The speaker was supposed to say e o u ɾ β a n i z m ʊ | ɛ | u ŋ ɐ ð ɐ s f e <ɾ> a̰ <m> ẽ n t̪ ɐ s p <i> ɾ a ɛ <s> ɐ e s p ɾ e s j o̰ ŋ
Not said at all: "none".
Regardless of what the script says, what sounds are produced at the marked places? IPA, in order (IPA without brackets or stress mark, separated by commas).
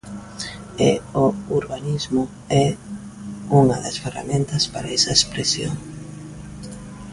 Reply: r, m, a, s